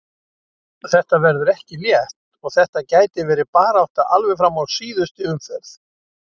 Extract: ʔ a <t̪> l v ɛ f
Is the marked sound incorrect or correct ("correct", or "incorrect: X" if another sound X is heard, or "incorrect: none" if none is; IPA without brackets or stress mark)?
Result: incorrect: none